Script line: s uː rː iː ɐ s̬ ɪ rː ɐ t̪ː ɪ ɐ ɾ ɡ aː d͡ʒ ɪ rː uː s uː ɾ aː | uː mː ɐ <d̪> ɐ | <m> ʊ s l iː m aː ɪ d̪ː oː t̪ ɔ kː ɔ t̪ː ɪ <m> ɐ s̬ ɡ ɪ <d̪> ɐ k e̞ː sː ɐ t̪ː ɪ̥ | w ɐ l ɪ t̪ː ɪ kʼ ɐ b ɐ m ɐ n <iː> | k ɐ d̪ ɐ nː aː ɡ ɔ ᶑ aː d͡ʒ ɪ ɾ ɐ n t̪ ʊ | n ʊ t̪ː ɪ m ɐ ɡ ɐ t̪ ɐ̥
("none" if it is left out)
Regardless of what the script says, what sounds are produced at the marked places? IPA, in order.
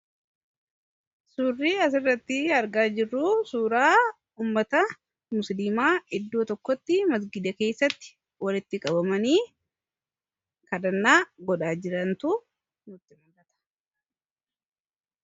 t̪, m, m, d̪, iː

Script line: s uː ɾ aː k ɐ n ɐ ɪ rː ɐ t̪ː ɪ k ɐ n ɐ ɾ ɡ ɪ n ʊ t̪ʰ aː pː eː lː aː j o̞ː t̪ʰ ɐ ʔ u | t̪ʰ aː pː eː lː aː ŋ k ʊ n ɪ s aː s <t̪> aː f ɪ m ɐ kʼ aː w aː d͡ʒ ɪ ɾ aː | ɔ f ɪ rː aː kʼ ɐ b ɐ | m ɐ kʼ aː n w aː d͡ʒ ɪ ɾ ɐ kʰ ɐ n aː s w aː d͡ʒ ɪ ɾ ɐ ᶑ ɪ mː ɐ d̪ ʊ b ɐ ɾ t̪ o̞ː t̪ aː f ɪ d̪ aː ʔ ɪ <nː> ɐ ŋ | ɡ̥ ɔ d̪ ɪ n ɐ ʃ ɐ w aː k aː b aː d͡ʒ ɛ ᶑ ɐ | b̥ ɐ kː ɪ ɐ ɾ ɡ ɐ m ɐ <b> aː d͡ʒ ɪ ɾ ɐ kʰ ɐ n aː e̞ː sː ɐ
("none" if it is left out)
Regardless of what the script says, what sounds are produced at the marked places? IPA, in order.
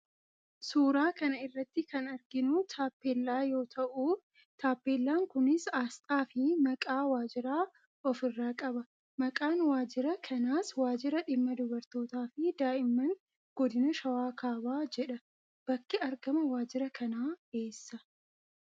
t̪ʼ, mː, w

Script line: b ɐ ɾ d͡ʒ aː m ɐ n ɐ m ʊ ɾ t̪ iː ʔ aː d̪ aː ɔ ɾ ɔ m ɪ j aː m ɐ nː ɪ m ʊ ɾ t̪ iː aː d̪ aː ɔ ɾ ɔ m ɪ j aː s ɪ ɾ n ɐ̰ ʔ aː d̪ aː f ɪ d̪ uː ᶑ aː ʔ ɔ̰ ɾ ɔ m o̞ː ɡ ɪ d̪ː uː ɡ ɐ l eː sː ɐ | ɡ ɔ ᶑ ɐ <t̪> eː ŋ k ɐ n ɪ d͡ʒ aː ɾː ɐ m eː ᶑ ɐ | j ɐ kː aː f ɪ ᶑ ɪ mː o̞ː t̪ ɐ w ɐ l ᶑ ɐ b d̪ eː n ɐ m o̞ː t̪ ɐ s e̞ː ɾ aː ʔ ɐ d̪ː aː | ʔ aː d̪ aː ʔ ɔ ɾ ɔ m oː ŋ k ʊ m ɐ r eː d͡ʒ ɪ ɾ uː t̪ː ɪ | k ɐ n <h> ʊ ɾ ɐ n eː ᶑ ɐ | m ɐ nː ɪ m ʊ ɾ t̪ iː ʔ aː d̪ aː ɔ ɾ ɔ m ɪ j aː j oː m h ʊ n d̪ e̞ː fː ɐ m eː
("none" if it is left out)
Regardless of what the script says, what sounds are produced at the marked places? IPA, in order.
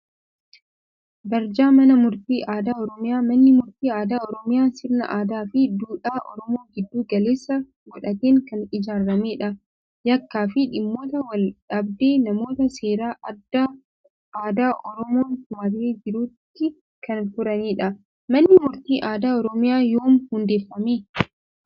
t̪, f

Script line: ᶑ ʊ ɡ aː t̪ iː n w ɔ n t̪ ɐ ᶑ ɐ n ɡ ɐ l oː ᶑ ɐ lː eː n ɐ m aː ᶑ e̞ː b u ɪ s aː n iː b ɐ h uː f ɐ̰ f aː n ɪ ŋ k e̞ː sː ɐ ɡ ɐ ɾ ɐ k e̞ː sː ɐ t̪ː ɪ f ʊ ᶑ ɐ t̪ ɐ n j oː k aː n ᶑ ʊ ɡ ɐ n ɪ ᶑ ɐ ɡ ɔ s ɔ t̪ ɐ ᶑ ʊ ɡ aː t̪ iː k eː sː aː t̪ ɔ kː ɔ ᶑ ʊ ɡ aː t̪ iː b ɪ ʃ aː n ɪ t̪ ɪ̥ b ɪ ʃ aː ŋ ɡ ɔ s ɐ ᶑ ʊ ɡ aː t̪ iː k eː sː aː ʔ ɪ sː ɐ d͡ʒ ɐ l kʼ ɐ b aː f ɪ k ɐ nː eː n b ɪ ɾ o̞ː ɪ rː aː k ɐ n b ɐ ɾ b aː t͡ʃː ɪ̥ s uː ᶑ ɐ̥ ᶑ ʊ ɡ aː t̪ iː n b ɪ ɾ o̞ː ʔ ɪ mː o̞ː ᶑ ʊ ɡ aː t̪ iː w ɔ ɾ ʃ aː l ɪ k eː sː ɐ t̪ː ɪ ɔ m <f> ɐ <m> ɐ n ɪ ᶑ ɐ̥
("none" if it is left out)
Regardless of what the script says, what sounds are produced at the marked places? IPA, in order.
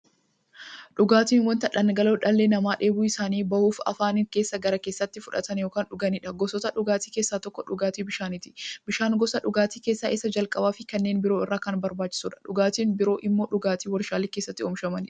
ʃ, m

